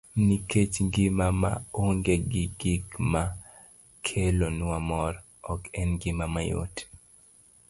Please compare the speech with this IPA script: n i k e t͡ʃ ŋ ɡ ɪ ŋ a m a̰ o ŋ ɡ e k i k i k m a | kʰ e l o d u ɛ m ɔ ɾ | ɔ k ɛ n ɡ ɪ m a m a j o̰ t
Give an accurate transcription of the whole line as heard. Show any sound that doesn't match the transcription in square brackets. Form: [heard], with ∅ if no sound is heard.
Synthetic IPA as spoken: n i k e t͡ʃ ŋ ɡ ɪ [m] a m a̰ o ŋ ɡ e [ɡ] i [ɡ] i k m a | kʰ e l o [n] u [a] m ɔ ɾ | ɔ k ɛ n ɡ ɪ m a m a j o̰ t